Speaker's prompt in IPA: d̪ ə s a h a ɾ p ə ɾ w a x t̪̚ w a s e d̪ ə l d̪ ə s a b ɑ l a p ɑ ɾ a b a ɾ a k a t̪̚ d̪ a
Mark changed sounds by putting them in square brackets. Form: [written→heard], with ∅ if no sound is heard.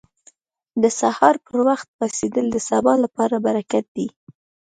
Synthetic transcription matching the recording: d̪ ə s a h [a→ɑ] ɾ p ə ɾ w a x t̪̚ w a s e d̪ ə l d̪ ə s a b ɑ l a p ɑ ɾ a b a ɾ a k a t̪̚ d̪ [a→i]